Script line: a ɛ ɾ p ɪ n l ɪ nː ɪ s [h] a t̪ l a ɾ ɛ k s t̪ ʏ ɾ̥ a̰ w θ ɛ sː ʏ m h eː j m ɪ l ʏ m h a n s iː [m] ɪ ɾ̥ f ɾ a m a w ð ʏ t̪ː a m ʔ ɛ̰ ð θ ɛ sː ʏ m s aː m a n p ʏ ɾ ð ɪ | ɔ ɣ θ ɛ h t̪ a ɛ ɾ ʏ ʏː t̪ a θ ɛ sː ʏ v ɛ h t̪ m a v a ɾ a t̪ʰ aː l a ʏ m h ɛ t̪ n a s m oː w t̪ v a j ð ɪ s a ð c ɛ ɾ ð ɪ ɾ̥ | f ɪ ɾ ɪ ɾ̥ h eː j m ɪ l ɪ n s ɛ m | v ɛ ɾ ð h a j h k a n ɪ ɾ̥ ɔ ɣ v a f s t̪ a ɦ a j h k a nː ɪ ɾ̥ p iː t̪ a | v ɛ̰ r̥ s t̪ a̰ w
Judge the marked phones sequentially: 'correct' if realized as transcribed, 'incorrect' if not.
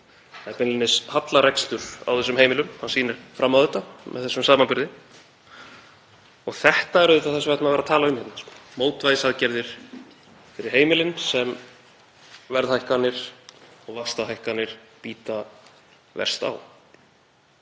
correct, incorrect

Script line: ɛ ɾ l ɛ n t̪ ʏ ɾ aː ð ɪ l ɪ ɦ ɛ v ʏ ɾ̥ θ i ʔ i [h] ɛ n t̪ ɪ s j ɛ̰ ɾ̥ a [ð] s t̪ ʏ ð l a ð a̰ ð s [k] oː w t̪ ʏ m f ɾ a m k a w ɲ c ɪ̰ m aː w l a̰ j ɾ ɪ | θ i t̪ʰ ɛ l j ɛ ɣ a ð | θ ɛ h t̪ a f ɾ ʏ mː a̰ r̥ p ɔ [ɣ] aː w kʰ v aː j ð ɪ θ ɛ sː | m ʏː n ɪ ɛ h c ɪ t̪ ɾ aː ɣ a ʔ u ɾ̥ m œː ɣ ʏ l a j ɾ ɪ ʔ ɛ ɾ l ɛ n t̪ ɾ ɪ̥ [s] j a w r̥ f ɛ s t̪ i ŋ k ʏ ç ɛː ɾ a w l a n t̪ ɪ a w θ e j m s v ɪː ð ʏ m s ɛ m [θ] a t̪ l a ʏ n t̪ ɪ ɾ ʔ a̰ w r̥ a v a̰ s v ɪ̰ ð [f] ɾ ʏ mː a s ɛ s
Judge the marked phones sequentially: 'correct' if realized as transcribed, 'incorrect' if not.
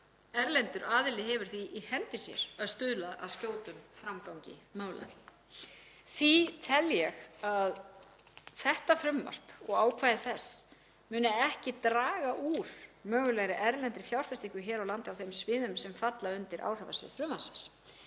correct, correct, incorrect, correct, incorrect, incorrect, correct

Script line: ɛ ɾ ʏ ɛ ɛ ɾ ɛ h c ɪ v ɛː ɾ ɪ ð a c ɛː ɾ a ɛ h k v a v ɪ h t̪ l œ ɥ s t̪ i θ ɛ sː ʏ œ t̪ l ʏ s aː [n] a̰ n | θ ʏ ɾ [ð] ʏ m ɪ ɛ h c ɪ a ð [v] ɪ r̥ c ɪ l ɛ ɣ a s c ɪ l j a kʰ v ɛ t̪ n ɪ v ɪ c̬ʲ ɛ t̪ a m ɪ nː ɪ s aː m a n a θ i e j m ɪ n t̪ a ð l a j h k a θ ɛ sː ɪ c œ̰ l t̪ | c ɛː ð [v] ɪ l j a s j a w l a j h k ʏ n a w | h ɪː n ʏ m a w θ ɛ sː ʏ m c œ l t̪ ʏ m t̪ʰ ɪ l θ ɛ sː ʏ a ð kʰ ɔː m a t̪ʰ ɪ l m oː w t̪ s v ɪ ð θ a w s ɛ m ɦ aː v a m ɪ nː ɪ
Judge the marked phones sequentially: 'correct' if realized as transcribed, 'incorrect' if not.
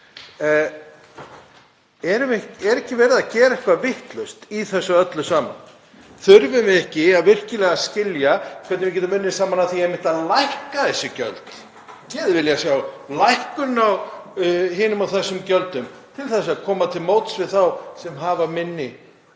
incorrect, incorrect, correct, correct

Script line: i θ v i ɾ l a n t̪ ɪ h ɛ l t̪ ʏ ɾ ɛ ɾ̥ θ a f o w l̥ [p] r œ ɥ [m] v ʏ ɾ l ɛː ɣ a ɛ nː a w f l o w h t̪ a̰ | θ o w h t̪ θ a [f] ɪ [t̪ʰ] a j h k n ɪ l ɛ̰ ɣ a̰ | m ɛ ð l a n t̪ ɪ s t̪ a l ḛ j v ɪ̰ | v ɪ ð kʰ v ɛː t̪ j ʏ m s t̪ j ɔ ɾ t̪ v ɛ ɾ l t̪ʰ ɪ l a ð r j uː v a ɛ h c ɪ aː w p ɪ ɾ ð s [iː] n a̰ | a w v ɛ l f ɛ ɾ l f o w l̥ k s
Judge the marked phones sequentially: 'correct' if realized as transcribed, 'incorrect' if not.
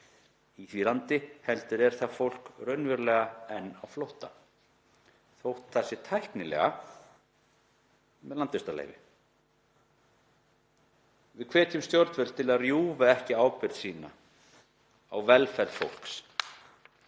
incorrect, incorrect, incorrect, correct, correct

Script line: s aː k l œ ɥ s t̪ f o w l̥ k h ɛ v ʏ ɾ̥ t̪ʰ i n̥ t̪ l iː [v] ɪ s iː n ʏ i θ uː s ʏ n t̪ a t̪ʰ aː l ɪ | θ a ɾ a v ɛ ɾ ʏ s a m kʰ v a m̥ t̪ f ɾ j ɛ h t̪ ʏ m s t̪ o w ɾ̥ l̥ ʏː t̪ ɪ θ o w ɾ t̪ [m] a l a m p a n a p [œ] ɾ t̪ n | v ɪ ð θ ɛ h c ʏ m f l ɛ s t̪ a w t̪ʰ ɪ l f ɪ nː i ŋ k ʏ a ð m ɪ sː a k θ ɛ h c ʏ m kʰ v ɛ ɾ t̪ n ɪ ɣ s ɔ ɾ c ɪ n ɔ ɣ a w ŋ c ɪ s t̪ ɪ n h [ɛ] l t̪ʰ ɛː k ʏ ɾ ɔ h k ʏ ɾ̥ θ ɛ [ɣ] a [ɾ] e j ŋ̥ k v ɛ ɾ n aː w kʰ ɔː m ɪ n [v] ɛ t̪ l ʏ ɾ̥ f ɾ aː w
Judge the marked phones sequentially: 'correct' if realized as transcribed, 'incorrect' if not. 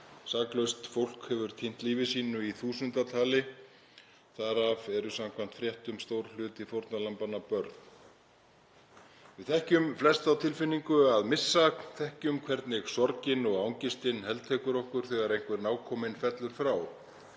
correct, incorrect, correct, correct, correct, correct, incorrect

